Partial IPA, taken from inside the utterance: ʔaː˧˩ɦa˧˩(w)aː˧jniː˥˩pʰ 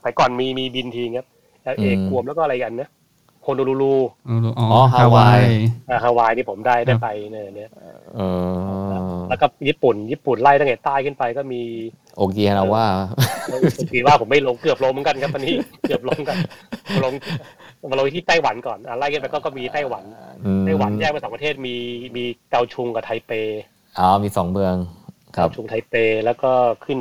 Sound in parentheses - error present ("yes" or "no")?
no